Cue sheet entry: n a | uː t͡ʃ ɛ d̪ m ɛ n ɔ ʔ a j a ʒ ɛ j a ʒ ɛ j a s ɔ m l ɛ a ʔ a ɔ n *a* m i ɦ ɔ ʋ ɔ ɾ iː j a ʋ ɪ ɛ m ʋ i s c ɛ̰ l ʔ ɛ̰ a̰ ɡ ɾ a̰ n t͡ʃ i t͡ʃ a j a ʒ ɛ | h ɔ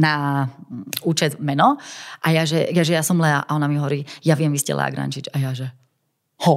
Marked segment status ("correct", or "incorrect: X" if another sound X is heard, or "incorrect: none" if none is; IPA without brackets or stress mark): correct